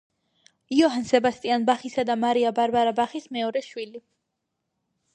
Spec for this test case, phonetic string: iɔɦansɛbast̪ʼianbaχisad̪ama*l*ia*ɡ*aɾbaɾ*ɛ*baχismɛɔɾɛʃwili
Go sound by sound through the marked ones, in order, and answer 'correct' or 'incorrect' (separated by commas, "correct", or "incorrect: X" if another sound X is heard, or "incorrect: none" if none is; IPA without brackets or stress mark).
incorrect: ɾ, incorrect: b, incorrect: a